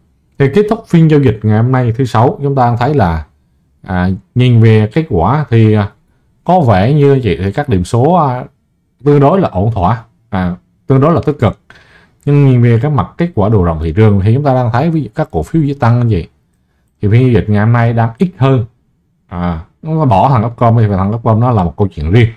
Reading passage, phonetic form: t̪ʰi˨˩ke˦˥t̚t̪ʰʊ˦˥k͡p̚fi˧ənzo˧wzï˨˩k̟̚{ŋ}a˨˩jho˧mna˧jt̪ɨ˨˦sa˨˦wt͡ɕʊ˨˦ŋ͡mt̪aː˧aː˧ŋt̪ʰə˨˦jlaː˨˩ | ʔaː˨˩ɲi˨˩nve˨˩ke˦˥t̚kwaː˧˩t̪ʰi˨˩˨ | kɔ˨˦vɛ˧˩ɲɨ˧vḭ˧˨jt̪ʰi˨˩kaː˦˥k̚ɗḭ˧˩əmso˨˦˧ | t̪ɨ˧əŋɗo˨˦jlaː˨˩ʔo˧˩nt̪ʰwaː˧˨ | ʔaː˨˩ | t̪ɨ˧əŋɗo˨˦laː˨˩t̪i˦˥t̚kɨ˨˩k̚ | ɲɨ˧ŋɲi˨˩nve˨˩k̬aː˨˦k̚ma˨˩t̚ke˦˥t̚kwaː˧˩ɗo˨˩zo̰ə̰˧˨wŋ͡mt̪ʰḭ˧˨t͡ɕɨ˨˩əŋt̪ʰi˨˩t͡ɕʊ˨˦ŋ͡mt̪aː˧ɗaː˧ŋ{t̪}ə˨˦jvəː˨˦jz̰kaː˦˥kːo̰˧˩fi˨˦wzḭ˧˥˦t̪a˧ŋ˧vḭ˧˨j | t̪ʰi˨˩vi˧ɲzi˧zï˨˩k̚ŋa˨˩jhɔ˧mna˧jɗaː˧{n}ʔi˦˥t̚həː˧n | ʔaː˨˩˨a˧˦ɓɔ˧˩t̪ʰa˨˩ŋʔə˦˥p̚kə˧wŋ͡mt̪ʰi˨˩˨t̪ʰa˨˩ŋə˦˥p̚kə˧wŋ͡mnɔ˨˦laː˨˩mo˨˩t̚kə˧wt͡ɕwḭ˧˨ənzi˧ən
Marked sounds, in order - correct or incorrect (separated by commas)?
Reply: correct, incorrect, incorrect